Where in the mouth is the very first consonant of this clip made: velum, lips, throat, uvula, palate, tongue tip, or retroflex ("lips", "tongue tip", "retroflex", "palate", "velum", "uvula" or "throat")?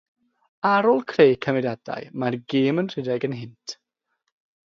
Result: tongue tip